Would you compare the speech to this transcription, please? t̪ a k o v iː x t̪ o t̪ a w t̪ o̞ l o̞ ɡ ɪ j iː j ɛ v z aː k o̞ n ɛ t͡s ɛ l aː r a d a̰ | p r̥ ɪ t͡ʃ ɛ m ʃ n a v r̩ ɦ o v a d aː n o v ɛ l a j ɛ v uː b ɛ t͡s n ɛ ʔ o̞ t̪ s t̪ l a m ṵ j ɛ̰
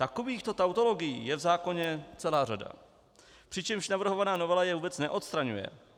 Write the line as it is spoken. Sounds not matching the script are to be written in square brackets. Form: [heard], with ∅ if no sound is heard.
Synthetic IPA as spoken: t̪ a k o v iː x t̪ o t̪ a w t̪ o̞ l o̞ ɡ ɪ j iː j ɛ v z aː k o̞ [ɲ] ɛ t͡s ɛ l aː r a d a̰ | p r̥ ɪ t͡ʃ ɛ m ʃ n a v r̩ ɦ o v a [n] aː n o v ɛ l a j ɛ v uː b ɛ t͡s n ɛ ʔ o̞ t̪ s t̪ [ɾ] a [ɲ] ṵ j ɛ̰